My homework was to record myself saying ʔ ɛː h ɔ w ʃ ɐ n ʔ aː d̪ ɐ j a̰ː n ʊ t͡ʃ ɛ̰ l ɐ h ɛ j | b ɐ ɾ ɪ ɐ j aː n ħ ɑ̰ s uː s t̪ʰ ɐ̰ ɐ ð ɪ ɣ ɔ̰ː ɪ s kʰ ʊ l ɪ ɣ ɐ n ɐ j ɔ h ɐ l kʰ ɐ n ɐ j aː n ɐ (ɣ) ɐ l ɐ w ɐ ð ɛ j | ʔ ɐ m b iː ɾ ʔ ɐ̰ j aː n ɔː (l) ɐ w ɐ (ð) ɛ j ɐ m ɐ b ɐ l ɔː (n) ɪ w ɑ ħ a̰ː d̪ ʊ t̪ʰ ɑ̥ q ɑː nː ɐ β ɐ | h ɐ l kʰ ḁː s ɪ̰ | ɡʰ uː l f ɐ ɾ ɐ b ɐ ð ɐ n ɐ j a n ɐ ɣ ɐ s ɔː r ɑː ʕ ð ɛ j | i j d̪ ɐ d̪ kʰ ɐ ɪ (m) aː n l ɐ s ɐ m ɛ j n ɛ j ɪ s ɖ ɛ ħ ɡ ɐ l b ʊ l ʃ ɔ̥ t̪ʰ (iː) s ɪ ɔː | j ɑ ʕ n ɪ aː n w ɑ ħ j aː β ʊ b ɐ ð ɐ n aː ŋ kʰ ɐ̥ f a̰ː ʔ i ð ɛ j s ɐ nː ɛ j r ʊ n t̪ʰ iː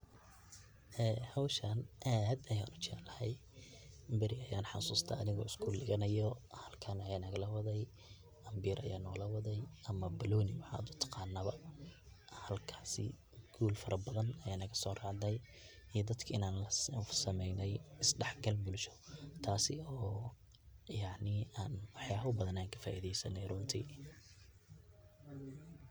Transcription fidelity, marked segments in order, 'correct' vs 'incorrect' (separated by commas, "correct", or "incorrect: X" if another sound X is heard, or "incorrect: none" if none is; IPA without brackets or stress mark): correct, correct, correct, correct, incorrect: n, incorrect: aː